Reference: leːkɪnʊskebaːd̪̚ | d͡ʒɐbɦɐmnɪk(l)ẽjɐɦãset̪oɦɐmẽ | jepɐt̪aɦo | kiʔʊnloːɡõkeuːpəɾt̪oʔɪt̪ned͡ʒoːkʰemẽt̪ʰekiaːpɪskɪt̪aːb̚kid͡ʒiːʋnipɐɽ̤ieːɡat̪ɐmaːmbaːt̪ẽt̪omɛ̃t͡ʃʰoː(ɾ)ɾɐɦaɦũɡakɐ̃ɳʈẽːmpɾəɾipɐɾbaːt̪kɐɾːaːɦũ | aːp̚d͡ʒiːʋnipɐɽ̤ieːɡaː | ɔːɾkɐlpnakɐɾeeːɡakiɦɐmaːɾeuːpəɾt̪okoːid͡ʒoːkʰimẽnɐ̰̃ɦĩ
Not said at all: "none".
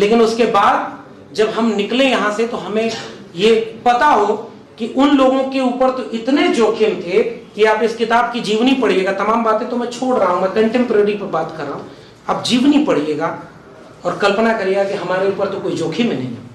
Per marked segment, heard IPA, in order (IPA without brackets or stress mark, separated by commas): l, ɽ